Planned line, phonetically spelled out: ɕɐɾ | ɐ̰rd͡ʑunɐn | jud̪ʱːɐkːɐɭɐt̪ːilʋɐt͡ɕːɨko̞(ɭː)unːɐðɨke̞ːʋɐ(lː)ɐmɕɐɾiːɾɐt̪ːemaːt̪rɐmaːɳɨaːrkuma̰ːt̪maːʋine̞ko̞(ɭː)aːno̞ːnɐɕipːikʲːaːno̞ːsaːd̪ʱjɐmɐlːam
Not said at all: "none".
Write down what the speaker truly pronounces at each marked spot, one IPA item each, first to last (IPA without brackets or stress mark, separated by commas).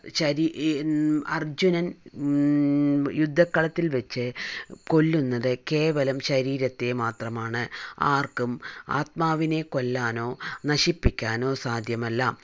lː, l, lː